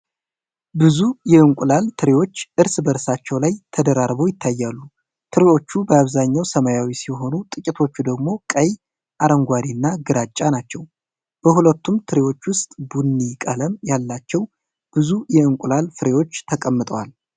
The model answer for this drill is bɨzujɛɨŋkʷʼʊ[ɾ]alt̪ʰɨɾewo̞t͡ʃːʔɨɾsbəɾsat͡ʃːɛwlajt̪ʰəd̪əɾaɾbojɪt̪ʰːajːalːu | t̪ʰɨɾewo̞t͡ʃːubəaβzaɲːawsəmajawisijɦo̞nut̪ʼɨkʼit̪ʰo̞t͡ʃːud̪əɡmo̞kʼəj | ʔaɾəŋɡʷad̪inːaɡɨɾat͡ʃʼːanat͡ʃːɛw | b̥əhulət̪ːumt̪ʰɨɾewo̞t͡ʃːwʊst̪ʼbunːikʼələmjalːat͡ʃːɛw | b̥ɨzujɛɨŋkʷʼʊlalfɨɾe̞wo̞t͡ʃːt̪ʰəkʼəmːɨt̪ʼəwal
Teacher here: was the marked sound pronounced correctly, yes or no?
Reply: no